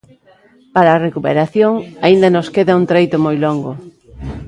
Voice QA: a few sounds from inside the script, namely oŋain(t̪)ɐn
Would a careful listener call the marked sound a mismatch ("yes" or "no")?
yes